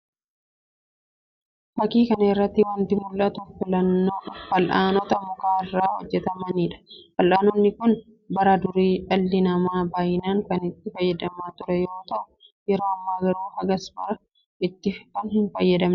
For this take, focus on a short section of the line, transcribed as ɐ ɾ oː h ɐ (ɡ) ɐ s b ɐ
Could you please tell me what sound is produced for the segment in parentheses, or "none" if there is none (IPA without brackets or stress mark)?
ɡ